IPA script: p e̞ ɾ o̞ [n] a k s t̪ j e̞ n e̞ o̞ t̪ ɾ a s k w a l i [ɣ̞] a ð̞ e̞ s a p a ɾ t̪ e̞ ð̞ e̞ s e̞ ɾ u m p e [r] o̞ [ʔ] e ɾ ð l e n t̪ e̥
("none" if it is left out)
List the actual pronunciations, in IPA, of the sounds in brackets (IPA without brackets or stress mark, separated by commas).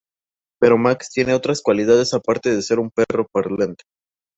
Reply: m, ð̞, r, p